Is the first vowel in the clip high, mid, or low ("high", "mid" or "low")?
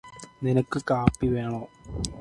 high